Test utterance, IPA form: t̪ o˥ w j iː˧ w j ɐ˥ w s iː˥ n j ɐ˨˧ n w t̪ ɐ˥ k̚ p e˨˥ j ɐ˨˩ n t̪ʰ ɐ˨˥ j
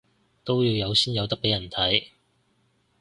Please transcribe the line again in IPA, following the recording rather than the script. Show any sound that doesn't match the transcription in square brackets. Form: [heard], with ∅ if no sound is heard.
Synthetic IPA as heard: t̪ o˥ w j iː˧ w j [ɐ˨˧] w s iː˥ n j ɐ˨˧ [∅] w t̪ ɐ˥ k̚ p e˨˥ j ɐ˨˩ n t̪ʰ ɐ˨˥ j